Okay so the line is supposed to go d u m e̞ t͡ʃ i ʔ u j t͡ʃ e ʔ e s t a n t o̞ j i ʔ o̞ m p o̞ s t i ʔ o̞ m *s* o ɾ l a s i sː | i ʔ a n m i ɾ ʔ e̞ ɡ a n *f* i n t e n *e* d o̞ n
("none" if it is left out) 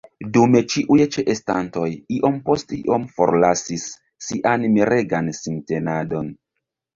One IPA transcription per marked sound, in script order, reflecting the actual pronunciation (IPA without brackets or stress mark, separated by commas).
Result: f, s, a